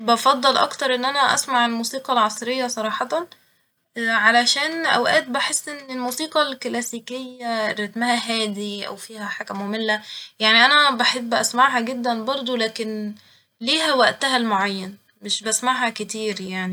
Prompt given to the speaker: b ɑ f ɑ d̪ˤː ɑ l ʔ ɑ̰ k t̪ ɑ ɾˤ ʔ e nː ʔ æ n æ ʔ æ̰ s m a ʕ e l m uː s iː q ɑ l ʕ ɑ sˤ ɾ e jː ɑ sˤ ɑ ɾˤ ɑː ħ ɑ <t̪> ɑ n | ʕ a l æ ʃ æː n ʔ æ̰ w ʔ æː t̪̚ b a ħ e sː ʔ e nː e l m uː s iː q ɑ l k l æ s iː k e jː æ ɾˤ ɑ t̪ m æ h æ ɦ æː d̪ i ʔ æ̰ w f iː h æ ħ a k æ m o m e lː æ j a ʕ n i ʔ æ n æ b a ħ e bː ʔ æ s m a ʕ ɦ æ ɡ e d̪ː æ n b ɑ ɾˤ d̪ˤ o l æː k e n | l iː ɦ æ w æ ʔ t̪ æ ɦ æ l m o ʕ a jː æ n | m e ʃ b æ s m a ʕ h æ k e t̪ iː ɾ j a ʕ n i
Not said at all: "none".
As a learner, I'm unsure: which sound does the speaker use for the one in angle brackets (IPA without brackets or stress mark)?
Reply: t̪